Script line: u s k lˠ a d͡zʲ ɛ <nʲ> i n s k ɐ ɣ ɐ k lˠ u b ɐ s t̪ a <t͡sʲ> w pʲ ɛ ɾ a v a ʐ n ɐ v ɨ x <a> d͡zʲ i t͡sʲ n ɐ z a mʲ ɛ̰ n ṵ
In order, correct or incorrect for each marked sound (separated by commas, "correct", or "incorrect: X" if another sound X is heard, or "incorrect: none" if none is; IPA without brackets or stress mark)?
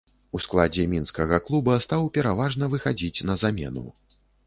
incorrect: mʲ, incorrect: none, correct